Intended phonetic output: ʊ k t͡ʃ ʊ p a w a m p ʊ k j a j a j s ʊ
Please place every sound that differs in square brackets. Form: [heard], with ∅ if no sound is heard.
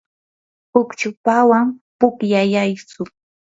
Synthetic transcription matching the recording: ʊ k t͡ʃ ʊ p a w a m p ʊ k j a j a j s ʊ